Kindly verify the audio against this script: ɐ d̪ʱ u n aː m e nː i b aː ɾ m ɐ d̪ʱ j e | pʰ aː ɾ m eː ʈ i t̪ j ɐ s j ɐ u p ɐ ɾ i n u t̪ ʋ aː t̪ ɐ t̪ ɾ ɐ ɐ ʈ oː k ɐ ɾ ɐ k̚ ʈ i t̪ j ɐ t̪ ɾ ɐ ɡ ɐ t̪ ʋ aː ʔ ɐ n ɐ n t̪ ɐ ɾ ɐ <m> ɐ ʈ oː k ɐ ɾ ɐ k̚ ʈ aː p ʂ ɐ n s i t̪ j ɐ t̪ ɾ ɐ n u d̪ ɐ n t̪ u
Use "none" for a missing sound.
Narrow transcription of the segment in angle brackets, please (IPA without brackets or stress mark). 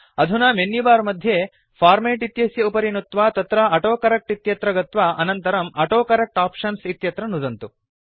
m